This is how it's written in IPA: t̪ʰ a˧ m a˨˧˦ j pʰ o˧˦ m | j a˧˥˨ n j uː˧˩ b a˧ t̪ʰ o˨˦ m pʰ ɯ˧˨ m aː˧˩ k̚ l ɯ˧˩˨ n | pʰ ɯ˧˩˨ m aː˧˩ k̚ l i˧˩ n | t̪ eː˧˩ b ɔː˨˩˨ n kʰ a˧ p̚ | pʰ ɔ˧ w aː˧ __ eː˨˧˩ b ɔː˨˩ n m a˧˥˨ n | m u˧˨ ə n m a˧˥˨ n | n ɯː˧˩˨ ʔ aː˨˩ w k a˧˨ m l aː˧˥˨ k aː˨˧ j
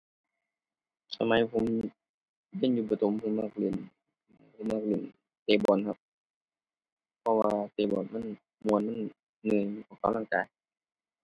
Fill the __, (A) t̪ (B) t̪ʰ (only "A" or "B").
A